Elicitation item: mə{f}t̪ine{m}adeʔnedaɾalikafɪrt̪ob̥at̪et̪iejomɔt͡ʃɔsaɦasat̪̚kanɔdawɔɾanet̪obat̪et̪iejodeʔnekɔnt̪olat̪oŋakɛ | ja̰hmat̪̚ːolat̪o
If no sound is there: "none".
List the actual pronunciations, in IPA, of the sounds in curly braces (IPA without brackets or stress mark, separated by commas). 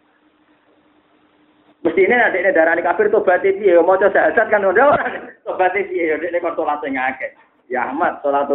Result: s, n